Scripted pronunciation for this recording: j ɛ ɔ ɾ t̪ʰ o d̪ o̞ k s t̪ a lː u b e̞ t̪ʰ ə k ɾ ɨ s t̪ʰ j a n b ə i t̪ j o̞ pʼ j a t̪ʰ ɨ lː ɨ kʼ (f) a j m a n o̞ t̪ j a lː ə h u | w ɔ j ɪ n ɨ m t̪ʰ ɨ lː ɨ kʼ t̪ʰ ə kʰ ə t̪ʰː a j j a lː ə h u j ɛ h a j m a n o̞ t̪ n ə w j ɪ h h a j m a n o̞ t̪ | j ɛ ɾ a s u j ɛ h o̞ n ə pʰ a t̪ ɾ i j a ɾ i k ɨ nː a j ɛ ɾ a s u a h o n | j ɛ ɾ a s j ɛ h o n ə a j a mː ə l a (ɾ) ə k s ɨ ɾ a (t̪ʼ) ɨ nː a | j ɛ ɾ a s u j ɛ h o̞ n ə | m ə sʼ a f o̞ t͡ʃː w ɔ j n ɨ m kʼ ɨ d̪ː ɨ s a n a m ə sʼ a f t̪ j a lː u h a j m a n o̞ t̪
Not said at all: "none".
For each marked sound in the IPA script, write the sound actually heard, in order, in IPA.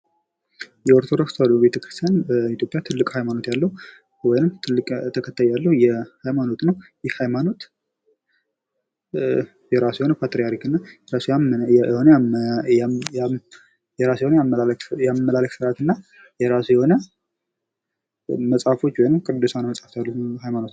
h, l, t̪

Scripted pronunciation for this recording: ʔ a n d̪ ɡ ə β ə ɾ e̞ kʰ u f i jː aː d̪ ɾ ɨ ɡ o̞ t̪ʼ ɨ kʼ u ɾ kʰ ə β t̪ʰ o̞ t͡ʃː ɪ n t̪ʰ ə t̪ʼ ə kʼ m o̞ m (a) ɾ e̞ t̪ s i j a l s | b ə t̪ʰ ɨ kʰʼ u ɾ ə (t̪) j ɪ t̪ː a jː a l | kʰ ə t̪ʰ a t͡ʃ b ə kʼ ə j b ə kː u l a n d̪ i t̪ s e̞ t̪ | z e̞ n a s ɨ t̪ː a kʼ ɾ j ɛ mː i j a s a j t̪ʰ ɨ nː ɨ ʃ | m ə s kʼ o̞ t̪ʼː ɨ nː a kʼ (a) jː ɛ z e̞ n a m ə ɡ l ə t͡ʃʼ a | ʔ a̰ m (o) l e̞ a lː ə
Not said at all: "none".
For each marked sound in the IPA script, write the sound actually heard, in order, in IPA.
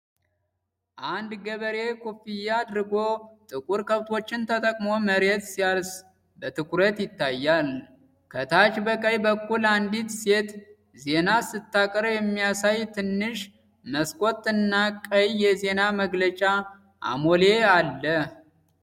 ə, t̪, ə, o

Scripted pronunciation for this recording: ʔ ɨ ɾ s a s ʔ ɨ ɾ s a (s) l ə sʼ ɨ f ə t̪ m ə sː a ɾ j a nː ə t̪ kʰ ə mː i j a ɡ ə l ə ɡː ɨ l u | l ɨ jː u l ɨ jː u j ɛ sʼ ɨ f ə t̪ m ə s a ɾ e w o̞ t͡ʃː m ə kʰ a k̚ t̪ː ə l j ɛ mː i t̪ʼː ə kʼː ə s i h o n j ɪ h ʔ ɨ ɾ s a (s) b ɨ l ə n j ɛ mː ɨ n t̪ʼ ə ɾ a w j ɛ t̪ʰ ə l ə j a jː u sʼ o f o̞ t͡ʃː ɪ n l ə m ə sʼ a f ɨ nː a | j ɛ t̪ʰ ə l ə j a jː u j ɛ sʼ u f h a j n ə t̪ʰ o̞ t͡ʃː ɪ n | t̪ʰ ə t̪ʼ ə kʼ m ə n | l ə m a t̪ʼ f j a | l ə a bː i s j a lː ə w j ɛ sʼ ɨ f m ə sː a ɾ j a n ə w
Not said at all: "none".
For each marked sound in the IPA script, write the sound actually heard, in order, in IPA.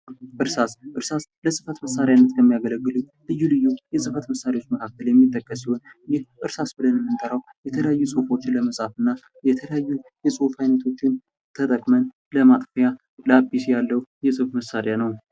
s, s

